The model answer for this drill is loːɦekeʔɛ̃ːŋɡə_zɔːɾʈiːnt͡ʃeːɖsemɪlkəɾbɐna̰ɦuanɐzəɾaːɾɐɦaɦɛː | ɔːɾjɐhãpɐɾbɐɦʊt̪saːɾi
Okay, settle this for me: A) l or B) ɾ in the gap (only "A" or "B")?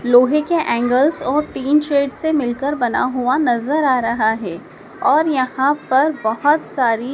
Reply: A